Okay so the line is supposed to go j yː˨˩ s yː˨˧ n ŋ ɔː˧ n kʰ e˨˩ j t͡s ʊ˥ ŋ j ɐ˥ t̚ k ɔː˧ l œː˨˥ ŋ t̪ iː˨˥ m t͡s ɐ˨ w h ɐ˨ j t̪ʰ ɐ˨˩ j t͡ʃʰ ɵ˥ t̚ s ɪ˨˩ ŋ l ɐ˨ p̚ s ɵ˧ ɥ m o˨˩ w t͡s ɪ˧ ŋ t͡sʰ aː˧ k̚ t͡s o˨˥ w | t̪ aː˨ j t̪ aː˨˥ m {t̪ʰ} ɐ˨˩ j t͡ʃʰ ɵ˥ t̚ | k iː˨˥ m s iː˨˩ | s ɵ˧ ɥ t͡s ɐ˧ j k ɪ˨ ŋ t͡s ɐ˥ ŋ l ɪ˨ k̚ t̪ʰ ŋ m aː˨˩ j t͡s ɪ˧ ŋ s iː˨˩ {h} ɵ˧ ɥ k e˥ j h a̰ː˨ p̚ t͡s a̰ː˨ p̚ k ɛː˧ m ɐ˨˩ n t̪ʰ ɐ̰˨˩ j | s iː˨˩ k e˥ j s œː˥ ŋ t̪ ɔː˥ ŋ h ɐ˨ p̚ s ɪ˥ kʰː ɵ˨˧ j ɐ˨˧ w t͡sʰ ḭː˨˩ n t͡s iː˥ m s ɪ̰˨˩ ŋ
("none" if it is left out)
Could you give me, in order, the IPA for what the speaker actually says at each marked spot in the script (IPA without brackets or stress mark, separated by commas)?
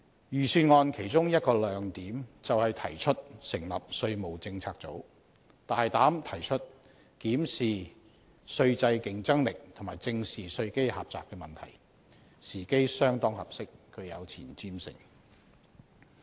t̪ʰ, s